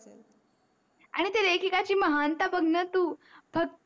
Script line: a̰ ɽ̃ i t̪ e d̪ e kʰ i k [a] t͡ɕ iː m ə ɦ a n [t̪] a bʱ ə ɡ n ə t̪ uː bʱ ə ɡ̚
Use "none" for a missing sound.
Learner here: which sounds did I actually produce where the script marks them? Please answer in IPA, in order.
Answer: a, t̪

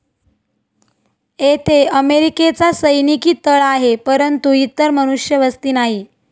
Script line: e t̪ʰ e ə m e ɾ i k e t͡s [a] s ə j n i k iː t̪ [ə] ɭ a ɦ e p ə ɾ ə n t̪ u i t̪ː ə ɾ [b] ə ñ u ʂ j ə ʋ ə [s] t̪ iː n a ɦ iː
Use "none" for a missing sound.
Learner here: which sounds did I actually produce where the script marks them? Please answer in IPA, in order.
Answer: a, ə, m, s

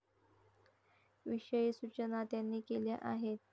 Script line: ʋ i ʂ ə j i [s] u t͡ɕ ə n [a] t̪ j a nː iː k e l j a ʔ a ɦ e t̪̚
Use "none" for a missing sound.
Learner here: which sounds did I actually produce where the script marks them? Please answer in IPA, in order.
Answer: s, a

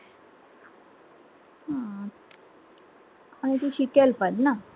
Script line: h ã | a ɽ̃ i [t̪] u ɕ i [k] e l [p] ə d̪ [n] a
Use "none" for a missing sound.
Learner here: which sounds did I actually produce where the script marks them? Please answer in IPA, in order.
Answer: t̪, k, p, n

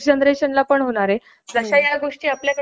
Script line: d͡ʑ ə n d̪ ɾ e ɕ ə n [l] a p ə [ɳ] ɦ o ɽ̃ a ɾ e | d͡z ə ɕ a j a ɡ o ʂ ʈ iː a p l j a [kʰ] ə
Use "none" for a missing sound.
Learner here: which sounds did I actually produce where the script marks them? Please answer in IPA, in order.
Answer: l, ɳ, k

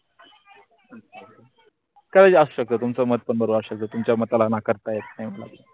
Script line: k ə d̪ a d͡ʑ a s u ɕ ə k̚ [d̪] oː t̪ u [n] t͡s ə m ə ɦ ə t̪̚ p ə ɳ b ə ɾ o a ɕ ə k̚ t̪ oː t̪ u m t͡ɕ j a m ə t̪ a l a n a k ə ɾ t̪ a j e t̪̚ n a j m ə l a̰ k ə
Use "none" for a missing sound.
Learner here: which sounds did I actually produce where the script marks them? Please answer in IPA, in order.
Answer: t̪, m

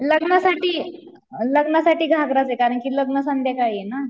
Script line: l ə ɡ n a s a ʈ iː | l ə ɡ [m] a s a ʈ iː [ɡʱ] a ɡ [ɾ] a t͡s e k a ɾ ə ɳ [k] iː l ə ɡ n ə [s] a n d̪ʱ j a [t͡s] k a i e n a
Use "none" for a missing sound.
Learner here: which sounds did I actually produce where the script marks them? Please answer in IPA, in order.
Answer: n, ɡʱ, ɾ, k, s, none

